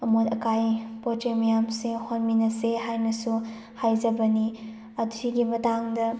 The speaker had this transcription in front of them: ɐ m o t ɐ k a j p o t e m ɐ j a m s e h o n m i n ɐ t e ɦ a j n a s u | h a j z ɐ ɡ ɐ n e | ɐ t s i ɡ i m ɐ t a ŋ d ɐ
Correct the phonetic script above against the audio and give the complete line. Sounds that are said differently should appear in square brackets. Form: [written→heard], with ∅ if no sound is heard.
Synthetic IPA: ɐ m o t ɐ k a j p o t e m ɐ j a m s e h o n m i n ɐ [t→s] e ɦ a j n [a→ɐ] s u | h a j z ɐ [ɡ→b] ɐ n [e→i] | ɐ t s i ɡ i m ɐ t a ŋ d ɐ

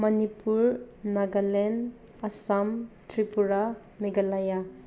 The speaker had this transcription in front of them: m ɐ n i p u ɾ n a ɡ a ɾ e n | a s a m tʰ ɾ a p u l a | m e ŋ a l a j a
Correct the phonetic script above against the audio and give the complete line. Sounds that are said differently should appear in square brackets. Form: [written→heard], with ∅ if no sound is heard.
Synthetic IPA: m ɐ n i p u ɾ n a ɡ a [ɾ→l] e n | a s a m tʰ ɾ [a→i] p u [l→ɾ] a | m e [ŋ→ɡ] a l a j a

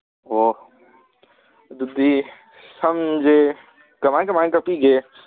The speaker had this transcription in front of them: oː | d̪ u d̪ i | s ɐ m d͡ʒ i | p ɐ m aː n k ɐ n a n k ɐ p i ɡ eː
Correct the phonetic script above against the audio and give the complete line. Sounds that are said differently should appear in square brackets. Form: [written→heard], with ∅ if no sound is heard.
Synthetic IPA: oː | d̪ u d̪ i | s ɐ m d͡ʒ [i→e] | [p→k] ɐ m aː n k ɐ [n→m] a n k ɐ p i ɡ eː

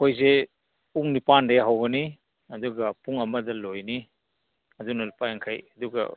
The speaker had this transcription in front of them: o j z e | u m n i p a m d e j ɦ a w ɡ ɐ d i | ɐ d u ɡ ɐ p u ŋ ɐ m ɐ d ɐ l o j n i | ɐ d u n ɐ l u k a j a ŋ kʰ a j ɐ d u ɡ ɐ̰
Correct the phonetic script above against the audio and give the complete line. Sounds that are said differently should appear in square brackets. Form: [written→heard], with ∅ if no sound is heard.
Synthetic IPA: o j z e | u [m→ŋ] n i p a [m→n] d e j ɦ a w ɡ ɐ [d→n] i | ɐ d u ɡ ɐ p u ŋ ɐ m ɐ d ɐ l o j n i | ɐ d u n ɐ l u [k→p] a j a ŋ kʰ a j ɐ d u ɡ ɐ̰

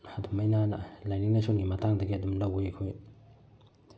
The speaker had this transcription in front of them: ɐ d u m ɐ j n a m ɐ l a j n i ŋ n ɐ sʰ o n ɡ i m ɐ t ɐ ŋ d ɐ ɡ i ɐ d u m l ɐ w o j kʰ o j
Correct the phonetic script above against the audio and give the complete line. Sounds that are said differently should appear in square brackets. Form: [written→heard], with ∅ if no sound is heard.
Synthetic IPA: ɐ d u m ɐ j n a [m→n] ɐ l a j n i ŋ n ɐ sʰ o n ɡ i m ɐ t [ɐ→a] ŋ d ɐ ɡ i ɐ d u m l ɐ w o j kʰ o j

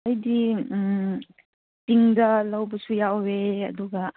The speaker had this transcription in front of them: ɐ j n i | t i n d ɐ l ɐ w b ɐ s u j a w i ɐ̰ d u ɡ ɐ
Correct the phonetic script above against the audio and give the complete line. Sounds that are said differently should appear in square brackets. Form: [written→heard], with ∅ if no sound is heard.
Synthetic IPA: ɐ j [n→d] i | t i [n→ŋ] d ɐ l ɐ w b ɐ s u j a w [i→e] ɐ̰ d u ɡ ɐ

